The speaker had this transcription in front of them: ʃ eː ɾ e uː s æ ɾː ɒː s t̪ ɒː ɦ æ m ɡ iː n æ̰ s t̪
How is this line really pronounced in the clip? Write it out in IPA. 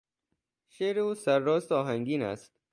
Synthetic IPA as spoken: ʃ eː ɾ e uː s æ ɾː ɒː s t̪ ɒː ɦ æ ŋ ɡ iː n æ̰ s t̪